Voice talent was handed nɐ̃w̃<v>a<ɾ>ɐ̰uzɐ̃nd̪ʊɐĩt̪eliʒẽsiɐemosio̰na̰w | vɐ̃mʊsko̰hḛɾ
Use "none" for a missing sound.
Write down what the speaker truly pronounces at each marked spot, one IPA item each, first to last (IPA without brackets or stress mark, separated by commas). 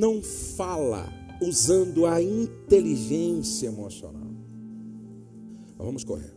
f, l